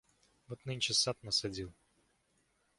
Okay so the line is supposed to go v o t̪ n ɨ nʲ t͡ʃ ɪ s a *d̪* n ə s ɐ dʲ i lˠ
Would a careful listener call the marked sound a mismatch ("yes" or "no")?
yes